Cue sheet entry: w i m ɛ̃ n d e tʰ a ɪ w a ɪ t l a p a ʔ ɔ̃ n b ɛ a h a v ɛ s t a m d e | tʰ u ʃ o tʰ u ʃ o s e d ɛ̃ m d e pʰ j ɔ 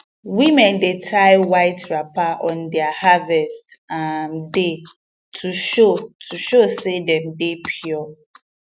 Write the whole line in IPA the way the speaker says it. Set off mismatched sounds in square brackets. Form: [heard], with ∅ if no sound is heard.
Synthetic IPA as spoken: w i m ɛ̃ n d e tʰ a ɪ w a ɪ t [ɹ] a p a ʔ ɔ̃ n [d] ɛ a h a v ɛ s t a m d e | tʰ u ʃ o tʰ u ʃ o s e d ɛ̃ m d e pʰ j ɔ